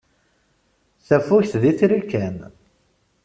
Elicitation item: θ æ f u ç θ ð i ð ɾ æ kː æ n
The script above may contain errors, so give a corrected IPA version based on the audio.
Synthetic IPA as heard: θ æ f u ç θ ð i θ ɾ i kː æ n